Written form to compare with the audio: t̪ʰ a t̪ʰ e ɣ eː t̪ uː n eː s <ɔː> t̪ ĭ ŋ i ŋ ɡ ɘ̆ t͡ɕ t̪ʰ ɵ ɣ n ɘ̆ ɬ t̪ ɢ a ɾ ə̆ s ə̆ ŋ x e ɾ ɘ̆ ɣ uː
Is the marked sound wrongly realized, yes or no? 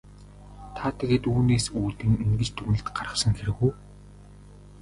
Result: yes